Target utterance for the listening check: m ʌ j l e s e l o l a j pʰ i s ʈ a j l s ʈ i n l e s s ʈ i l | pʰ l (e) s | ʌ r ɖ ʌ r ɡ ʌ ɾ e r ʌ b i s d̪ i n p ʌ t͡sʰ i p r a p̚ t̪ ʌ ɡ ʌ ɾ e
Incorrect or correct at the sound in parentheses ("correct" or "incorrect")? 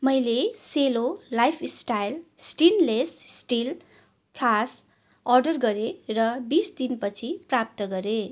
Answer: incorrect